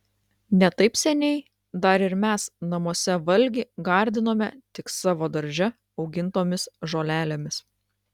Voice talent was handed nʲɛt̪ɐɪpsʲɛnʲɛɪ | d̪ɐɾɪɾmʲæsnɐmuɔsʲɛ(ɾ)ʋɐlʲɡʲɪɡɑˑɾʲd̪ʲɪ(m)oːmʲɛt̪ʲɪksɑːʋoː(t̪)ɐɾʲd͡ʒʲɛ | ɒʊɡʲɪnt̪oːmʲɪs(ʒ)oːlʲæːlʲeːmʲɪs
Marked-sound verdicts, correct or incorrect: incorrect, incorrect, incorrect, correct

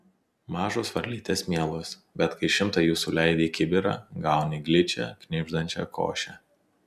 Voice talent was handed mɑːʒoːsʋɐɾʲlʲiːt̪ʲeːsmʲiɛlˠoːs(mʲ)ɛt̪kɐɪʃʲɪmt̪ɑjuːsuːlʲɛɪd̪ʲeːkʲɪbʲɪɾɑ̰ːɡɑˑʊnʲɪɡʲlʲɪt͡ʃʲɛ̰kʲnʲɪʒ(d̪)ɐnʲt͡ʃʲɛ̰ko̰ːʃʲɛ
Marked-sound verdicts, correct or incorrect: incorrect, correct

